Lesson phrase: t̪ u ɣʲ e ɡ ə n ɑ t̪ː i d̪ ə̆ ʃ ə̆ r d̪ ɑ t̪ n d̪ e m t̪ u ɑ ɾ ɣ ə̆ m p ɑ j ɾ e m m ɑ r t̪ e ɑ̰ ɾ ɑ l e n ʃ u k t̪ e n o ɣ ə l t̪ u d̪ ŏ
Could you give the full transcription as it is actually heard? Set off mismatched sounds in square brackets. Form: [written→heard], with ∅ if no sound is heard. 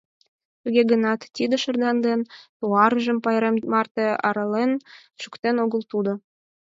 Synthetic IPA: t̪ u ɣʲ e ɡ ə n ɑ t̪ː i d̪ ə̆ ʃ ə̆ r d̪ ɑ [t̪→∅] n d̪ e [m→n] t̪ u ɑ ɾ [ɣ→ʒ] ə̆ m p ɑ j ɾ e m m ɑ r t̪ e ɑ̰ ɾ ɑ l e n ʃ u k t̪ e n o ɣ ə l t̪ u d̪ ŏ